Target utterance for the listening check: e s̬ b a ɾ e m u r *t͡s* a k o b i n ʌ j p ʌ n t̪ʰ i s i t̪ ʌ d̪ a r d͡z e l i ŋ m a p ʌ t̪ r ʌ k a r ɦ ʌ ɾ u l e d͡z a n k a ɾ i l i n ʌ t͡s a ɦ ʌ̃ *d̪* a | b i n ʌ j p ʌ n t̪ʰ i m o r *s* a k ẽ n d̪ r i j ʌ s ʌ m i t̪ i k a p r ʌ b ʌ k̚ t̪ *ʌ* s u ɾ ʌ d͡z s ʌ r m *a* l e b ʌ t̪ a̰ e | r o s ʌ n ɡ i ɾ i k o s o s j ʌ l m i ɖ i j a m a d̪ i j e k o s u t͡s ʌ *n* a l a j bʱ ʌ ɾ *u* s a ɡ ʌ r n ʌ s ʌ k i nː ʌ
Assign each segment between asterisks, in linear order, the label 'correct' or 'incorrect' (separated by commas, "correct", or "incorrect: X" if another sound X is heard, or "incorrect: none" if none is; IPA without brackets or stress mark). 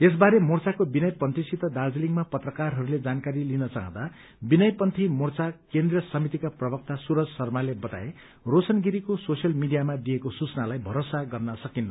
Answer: correct, correct, incorrect: t͡s, incorrect: a, correct, correct, incorrect: o